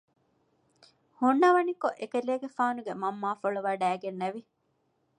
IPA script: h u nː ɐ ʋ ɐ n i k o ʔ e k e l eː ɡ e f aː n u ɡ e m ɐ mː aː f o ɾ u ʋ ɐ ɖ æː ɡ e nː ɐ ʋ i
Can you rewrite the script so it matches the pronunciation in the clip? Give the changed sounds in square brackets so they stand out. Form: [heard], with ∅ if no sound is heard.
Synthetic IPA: h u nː ɐ ʋ ɐ n i k o ʔ e k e l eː ɡ e f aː n u ɡ e m ɐ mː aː f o [ɭ] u ʋ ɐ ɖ æː ɡ e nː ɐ ʋ i